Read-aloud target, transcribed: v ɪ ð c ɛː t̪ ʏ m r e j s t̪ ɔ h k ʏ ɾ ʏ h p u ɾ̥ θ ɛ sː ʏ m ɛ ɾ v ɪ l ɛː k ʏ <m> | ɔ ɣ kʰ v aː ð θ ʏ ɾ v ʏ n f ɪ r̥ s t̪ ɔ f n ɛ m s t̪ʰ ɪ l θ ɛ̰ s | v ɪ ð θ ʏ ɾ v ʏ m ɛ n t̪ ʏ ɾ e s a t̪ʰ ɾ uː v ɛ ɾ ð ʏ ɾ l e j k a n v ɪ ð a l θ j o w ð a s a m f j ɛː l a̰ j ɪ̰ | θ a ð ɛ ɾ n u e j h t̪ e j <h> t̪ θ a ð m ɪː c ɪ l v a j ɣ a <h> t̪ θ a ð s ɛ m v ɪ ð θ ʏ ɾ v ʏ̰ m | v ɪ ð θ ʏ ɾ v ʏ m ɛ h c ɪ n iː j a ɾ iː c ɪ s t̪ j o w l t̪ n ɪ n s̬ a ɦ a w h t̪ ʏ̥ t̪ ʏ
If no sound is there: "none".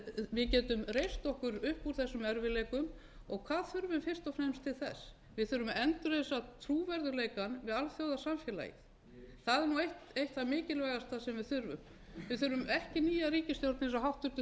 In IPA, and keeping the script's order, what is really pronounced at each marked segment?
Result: m, h, s

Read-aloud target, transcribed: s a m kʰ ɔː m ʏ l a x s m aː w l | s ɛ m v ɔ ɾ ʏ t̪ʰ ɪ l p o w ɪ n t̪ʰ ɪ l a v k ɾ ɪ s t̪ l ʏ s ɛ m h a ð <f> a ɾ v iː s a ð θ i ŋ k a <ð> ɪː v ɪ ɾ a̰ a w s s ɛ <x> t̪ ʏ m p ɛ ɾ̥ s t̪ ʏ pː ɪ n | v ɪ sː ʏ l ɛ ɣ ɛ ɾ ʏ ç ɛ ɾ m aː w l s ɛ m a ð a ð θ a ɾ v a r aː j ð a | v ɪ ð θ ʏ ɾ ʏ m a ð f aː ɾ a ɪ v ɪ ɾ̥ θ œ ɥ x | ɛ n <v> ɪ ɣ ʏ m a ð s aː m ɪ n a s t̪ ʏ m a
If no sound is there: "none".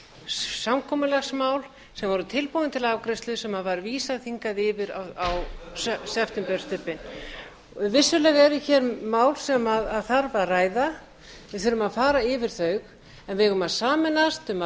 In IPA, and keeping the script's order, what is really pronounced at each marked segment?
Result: v, ð, f, v

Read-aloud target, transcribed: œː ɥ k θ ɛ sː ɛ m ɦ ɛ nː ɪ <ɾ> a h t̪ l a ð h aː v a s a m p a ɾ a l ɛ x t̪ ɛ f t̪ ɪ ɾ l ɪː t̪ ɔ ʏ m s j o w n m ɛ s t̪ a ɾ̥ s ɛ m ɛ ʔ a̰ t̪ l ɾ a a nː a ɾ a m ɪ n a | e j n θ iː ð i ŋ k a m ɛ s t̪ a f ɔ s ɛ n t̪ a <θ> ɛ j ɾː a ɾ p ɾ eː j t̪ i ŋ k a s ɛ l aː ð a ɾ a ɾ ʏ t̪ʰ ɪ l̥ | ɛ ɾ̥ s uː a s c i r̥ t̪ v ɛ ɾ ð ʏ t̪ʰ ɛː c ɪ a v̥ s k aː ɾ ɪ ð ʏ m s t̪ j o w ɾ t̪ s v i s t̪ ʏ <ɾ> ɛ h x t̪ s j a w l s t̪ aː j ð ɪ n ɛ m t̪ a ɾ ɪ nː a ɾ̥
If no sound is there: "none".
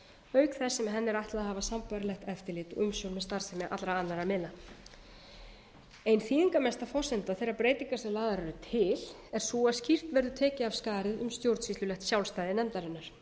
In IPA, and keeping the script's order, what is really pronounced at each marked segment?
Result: ɾ, θ, l

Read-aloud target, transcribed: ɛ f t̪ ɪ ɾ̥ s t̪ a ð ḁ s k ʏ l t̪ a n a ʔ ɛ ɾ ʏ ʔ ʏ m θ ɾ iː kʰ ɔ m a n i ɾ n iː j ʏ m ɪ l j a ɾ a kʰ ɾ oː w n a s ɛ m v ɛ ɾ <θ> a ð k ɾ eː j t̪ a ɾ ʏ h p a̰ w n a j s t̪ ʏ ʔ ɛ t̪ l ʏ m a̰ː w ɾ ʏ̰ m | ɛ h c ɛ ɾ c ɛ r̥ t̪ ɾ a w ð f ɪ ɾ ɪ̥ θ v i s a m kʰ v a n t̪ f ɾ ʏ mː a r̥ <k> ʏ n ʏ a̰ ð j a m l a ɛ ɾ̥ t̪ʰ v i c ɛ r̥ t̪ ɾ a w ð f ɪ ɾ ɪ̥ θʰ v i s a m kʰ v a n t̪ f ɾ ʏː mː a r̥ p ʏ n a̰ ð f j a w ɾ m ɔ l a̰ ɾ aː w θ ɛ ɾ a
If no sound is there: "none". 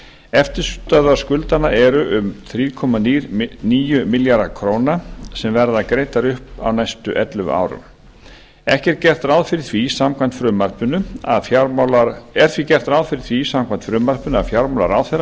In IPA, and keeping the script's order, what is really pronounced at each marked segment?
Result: ð, p

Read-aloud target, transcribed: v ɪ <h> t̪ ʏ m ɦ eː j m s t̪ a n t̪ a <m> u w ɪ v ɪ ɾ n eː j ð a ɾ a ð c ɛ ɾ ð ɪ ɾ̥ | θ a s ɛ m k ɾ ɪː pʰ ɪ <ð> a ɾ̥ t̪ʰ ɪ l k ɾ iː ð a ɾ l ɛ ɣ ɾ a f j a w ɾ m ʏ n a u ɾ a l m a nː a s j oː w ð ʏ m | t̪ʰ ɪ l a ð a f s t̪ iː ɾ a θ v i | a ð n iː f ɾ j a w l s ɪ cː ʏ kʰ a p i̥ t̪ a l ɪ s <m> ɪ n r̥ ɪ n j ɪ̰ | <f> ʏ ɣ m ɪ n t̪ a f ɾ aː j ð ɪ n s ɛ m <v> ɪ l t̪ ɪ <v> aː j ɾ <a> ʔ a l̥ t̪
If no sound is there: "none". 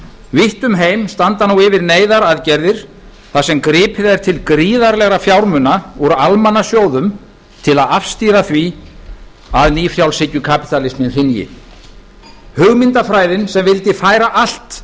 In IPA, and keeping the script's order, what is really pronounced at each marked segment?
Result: h, n, ð, m, h, v, f, a

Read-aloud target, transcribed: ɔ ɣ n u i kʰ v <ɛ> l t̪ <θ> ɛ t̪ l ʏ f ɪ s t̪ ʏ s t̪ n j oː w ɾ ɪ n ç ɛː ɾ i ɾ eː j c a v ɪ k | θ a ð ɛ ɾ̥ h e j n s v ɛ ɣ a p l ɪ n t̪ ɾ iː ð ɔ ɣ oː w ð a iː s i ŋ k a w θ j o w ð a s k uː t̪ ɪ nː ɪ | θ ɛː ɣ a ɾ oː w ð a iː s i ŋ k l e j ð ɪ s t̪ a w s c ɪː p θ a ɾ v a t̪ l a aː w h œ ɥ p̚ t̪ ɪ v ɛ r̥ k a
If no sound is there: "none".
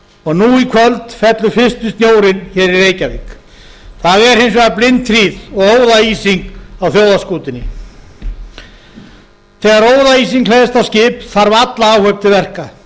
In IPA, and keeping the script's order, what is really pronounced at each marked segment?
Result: œ, f

